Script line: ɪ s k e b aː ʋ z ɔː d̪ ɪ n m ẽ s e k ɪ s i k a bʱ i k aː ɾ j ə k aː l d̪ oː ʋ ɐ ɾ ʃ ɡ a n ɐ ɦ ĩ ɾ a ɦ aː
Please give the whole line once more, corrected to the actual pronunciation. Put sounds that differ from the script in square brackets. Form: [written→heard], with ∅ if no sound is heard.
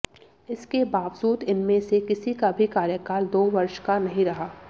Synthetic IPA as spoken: ɪ s k e b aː ʋ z [ɔː→uː] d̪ ɪ n m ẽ s e k ɪ s i k a bʱ i k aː ɾ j ə k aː l d̪ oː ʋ ɐ ɾ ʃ [ɡ→k] a n ɐ ɦ ĩ ɾ [a→ɐ] ɦ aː